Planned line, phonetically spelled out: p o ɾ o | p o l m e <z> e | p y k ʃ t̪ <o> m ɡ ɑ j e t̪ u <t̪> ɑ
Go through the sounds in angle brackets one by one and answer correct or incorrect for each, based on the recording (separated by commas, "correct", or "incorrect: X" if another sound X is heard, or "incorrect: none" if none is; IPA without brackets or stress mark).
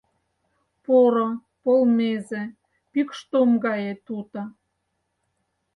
correct, correct, correct